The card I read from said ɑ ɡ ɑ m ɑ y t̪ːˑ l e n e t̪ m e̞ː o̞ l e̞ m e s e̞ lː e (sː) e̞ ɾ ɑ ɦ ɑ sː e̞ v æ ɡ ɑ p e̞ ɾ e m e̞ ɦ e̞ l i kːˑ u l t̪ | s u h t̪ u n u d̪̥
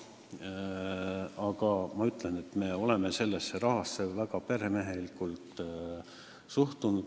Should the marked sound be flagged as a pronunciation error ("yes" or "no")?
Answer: no